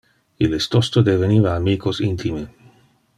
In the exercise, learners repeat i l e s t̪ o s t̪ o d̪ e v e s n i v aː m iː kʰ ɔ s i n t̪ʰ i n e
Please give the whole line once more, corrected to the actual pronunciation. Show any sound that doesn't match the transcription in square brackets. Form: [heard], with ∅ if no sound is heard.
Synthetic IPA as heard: i l e s t̪ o s t̪ o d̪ e v e [∅] n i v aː m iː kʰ [o] s i n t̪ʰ i [m] e